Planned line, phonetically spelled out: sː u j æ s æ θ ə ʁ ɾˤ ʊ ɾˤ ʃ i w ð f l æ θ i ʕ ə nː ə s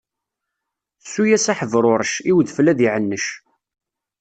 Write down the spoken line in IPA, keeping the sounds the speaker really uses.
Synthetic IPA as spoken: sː u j æ s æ ħ ə v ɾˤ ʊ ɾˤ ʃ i w ð f l æ ð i ʕ ə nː ə ʃ

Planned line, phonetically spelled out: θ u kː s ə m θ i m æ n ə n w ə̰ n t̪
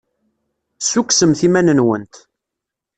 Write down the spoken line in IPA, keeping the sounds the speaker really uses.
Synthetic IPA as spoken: s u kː s ə m θ i m æ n ə n w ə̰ n t̪

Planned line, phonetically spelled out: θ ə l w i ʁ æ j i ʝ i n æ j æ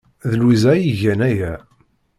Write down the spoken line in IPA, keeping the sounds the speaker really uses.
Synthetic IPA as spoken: ð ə l w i z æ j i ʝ æ n æ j æ

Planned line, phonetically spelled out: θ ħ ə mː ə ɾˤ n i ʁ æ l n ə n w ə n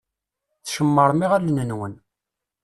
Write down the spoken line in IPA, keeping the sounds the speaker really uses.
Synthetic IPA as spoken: θ ʃ ə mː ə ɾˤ m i ʁ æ l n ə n w ə n

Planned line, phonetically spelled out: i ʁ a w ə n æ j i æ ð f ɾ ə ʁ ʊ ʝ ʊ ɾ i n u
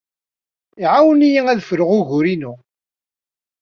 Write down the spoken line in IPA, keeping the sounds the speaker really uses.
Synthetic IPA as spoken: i ʕ a w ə n i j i æ ð f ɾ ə ʁ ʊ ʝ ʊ ɾ i n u

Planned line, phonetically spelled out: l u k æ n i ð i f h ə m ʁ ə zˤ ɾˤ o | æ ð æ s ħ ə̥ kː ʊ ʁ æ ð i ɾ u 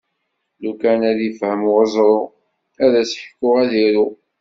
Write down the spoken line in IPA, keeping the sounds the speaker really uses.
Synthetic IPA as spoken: l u k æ n æ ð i f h ə m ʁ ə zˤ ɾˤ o | æ ð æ s ħ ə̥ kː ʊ ʁ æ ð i ɾ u

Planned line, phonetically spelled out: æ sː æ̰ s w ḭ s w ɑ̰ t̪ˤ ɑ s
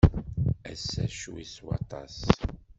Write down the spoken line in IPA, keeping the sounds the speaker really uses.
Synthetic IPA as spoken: æ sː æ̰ ʃ w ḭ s w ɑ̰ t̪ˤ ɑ s

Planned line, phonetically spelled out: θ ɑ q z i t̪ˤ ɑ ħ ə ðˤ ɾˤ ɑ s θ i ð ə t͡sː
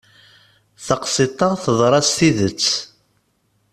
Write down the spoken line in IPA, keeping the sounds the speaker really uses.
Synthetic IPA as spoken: θ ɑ q s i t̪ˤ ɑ θ ə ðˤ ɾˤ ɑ s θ i ð ə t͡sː

